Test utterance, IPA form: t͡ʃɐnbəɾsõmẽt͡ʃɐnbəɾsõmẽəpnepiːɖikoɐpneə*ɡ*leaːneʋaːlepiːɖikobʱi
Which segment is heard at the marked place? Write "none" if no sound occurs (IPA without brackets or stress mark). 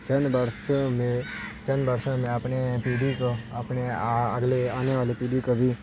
ɡ